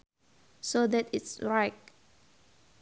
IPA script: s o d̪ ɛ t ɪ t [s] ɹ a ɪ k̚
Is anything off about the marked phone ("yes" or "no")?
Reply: no